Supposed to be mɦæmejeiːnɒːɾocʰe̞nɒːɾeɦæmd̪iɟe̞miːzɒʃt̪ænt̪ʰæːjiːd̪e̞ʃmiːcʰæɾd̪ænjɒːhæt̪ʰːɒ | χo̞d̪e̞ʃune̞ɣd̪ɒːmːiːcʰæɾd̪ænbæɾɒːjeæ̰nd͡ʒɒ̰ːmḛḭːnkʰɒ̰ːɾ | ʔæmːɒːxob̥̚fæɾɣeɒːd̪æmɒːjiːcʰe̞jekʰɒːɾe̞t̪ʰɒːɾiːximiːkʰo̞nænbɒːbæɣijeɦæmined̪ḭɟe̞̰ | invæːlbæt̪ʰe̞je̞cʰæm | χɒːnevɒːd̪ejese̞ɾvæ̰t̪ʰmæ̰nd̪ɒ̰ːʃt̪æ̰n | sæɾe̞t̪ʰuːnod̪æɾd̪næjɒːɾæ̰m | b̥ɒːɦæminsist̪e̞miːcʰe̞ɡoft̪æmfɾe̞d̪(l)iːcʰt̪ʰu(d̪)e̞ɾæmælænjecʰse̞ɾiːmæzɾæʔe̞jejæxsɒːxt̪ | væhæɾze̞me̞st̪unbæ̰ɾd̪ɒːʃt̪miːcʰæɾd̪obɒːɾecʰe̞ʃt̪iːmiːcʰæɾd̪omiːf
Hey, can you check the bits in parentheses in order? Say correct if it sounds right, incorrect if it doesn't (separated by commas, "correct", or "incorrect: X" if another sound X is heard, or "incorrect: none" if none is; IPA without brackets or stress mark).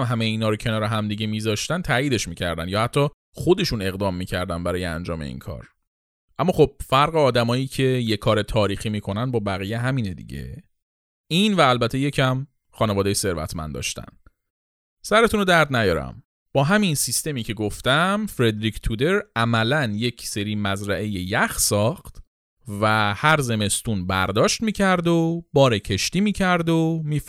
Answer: incorrect: ɾ, correct